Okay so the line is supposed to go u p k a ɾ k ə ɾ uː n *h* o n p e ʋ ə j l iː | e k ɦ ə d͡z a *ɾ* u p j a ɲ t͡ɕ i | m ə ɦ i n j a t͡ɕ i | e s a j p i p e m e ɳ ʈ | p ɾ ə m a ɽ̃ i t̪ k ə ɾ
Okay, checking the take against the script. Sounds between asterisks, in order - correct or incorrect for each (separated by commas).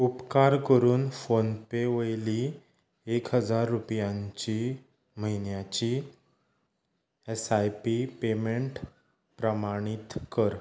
incorrect, incorrect